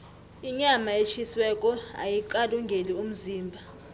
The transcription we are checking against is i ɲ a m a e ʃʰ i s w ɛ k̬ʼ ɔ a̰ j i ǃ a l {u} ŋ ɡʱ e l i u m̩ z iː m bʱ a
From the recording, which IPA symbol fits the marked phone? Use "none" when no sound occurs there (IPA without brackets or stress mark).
u